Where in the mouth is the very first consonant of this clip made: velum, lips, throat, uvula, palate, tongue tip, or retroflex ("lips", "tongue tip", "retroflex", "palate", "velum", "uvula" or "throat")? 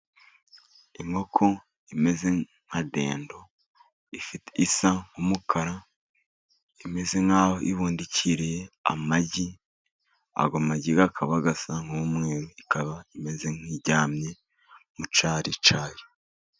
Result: velum